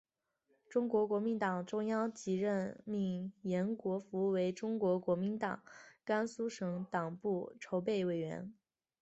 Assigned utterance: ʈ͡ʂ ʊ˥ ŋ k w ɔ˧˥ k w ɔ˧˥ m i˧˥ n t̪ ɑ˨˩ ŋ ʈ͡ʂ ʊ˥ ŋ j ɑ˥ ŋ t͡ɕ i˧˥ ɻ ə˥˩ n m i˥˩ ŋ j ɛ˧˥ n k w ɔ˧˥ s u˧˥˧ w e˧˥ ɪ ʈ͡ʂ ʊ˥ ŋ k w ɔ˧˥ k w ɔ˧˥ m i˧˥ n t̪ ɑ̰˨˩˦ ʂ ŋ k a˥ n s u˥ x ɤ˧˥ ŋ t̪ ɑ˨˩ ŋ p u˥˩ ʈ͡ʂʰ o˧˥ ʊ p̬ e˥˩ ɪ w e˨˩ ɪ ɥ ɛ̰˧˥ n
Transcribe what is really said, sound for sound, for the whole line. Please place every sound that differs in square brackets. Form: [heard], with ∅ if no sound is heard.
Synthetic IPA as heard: ʈ͡ʂ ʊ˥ ŋ k w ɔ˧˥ k w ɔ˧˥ m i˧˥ n t̪ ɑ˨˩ ŋ ʈ͡ʂ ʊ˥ ŋ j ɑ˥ ŋ t͡ɕ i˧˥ ɻ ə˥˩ n m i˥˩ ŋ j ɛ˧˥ n k w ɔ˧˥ [f] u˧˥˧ w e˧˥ ɪ ʈ͡ʂ ʊ˥ ŋ k w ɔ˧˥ k w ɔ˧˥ m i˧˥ n t̪ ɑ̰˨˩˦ [∅] ŋ k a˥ n s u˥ [ʂ] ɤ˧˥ ŋ t̪ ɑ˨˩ ŋ p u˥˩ ʈ͡ʂʰ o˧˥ ʊ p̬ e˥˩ ɪ w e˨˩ ɪ ɥ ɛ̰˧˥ n